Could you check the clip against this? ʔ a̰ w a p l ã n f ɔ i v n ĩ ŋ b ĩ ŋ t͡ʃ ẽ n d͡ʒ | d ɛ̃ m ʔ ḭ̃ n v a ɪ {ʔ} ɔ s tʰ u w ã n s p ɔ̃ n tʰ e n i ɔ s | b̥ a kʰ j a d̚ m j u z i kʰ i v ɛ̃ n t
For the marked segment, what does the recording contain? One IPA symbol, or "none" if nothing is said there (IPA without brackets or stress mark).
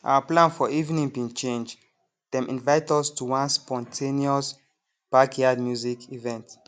t